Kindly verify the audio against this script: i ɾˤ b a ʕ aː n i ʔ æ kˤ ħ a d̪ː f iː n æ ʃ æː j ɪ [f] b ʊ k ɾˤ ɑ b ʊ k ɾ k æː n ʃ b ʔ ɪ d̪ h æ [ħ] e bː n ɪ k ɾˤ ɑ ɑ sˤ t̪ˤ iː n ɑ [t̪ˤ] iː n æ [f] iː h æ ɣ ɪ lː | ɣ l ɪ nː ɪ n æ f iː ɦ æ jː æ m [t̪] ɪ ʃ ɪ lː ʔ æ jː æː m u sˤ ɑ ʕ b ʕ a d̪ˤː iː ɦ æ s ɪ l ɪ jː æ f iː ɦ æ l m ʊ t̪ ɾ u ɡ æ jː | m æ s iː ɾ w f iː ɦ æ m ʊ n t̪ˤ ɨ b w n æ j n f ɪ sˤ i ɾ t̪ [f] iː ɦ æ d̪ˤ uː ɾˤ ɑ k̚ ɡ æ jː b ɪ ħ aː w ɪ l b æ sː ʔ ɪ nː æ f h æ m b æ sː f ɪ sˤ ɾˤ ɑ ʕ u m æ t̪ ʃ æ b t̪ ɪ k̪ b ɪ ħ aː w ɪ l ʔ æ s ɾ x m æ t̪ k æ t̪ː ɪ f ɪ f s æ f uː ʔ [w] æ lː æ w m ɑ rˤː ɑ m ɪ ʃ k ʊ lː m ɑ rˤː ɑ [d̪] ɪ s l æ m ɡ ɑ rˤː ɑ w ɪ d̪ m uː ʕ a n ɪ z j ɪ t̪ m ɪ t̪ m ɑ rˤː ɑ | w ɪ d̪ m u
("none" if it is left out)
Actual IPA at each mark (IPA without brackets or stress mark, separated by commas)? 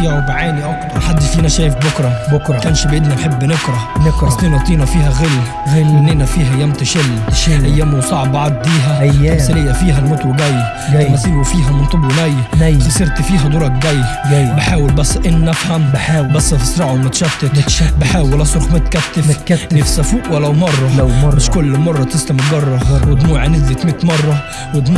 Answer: f, ħ, t̪ˤ, f, t̪, f, w, t̪